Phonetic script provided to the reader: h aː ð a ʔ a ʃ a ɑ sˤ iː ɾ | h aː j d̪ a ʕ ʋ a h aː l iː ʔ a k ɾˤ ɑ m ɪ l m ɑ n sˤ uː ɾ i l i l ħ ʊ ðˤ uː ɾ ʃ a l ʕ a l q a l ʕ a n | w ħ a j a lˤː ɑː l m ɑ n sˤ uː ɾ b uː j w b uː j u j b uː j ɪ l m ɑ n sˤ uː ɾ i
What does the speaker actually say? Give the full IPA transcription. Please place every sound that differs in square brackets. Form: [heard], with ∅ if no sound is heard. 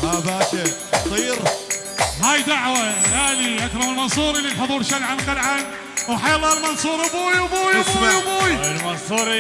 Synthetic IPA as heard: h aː ð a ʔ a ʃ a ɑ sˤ iː ɾ | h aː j d̪ a ʕ [w] a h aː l [i] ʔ a k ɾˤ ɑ m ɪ l m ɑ n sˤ uː ɾ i l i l ħ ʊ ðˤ uː ɾ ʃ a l ʕ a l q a l ʕ a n | w ħ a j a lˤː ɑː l m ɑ n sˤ uː ɾ b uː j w b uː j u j b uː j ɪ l m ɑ n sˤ uː ɾ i

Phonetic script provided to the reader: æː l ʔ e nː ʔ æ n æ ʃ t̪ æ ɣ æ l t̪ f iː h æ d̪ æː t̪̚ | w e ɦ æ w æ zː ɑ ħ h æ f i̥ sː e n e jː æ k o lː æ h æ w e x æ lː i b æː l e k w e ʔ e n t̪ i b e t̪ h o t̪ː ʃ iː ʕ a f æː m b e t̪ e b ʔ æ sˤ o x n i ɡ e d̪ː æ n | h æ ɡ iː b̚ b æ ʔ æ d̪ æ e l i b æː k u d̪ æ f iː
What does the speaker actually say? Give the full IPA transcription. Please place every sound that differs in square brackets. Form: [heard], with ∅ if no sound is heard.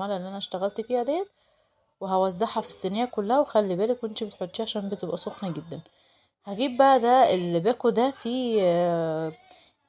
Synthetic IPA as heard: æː l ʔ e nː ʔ æ n æ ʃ t̪ æ ɣ æ l t̪ f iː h æ d̪ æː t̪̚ | w e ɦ æ w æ zː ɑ ħ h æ f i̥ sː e n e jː æ k o lː æ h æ w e x æ lː i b æː l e k w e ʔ e n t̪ i b e t̪ [ħ] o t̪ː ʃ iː ʕ a [ʃ] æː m b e t̪ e b ʔ æ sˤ o x n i ɡ e d̪ː æ n | h æ ɡ iː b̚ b æ ʔ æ d̪ æ e l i b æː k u d̪ æ f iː

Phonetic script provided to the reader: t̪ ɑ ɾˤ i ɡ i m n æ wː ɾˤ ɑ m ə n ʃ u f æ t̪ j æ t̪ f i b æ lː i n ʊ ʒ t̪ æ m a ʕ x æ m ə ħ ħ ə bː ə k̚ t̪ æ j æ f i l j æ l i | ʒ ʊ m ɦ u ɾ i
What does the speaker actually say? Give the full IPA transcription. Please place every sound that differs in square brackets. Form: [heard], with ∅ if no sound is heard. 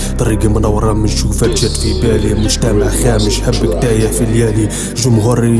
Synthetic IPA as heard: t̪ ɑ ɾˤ i ɡ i m n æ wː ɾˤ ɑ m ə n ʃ u f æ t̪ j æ t̪ f i b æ [l] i [m] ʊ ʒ t̪ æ m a ʕ x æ m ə [ʃ] ħ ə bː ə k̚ t̪ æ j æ f i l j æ l i | ʒ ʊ m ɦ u ɾ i

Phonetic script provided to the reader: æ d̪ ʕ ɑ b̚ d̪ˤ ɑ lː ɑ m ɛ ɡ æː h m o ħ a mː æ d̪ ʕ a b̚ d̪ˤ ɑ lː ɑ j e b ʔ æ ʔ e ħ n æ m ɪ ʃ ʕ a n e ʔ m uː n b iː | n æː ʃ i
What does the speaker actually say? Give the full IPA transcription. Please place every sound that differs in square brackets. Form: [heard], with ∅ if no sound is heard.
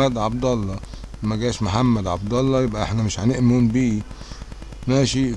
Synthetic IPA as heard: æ d̪ ʕ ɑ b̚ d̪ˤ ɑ lː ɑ m [æ] ɡ æː [ʃ] m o ħ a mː æ d̪ ʕ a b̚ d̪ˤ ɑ lː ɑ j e b ʔ æ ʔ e ħ n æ m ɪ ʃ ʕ a n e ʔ m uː n b iː | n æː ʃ i

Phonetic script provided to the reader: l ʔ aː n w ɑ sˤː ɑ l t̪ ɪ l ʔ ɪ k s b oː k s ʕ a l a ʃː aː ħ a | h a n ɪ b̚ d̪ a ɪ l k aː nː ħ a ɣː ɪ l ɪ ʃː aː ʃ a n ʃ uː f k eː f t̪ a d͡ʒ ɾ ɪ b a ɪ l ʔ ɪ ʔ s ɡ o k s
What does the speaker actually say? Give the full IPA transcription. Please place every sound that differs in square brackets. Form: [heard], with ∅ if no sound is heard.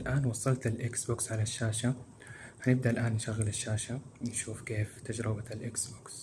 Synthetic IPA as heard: l ʔ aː n w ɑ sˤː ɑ l t̪ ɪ l ʔ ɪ k s b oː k s ʕ a l a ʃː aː [ʃ] a | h a n ɪ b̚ d̪ a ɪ l [ʔ] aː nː [ʃ] a ɣː ɪ l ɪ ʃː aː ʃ a n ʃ uː f k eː f t̪ a d͡ʒ ɾ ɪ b a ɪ l ʔ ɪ [k] s [b] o k s

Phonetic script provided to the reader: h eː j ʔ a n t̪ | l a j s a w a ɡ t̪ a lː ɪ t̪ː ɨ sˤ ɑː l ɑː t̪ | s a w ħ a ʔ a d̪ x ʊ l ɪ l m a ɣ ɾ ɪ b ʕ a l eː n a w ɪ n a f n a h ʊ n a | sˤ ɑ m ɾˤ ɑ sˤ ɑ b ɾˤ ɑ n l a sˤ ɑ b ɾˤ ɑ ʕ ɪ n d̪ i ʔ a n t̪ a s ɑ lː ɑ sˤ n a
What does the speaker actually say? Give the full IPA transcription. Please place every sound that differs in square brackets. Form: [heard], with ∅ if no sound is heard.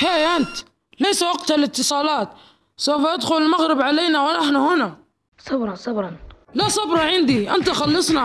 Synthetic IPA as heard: h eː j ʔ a n t̪ | l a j s a w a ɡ t̪ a [l] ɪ t̪ː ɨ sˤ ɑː l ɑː t̪ | s a w [f] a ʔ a d̪ x ʊ l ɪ l m a ɣ ɾ ɪ b ʕ a l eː n a w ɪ n a [ħ] n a h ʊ n a | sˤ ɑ [b] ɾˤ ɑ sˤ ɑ b ɾˤ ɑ n l a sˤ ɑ b ɾˤ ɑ ʕ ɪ n d̪ i ʔ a n t̪ a [x] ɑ lː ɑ sˤ n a

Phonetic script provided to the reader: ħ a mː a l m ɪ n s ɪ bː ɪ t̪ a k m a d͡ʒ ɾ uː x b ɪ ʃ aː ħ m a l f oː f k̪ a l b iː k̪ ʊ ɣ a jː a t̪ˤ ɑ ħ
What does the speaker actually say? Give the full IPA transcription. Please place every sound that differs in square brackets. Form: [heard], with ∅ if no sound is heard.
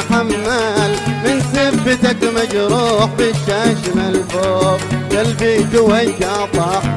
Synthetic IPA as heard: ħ a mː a l m ɪ n s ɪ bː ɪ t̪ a k m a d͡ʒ ɾ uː [ħ] b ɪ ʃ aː [ʃ] m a l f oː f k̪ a l b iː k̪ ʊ [w] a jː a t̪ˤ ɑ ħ

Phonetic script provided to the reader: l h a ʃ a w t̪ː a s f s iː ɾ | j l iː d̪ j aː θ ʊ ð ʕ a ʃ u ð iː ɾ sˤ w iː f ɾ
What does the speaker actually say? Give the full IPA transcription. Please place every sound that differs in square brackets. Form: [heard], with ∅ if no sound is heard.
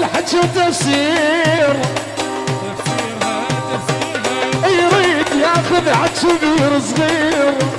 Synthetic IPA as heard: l [ħ] a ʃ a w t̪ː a [∅] f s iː ɾ | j [ɾ] iː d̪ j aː [x] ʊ ð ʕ a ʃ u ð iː ɾ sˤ [ɣ] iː [∅] ɾ

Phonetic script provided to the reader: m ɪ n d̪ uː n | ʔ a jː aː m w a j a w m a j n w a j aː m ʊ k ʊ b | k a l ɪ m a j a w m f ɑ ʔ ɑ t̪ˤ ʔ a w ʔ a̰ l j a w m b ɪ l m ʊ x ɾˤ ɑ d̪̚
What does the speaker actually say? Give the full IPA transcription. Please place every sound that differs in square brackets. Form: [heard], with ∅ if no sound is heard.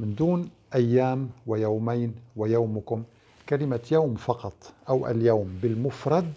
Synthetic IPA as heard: m ɪ n d̪ uː n | ʔ a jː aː m w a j a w m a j n w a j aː m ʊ k ʊ [m] | k a l ɪ m a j a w m f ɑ [q] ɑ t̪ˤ ʔ a w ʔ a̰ l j a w m b ɪ l m ʊ [f] ɾˤ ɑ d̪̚

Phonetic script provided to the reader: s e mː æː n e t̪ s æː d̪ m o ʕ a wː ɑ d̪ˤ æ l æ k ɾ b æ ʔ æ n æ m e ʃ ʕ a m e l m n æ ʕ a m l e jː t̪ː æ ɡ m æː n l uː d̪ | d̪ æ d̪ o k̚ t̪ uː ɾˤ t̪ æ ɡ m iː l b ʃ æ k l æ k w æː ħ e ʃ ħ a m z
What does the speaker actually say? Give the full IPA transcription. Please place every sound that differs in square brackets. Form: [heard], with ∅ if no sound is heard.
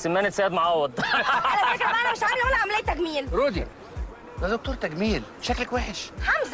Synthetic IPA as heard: s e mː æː n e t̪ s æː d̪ m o ʕ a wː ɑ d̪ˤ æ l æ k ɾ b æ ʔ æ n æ m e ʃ ʕ a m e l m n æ ʕ a m l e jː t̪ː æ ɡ m [iː] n [ɾ] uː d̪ | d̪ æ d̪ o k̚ t̪ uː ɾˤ t̪ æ ɡ m iː l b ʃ æ k l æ k w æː ħ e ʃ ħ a m z

